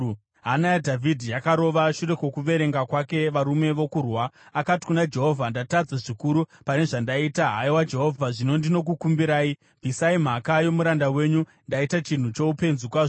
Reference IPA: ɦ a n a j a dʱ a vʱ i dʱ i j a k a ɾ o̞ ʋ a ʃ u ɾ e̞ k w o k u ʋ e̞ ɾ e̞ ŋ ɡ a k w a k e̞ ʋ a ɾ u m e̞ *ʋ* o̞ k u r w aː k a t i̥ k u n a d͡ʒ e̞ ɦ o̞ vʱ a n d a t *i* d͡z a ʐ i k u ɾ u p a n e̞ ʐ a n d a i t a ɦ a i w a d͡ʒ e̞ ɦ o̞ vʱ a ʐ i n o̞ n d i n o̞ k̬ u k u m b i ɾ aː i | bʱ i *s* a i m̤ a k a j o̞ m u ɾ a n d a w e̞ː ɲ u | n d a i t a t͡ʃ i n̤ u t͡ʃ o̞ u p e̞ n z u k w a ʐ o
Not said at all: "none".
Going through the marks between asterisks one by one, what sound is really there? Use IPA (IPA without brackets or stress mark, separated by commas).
ʋ, a, s